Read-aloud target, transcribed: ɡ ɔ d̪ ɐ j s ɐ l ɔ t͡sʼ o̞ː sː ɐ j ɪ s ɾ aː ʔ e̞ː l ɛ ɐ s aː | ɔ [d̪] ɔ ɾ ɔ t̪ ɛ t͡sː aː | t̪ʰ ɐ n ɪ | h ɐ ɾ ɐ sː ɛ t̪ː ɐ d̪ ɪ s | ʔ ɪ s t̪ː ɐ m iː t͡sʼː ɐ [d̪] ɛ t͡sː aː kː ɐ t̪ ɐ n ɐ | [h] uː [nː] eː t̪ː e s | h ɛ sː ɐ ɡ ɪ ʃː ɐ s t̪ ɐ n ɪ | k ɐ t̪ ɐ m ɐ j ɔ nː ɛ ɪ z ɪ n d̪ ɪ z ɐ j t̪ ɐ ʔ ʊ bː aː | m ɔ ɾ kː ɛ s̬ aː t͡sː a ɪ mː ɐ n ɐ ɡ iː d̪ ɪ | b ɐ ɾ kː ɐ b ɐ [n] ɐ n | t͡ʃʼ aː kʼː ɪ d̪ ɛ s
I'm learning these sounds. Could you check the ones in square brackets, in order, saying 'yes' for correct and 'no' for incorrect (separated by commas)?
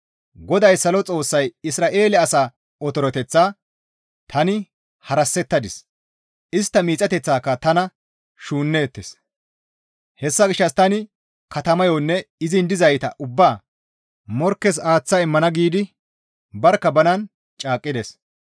no, no, no, yes, yes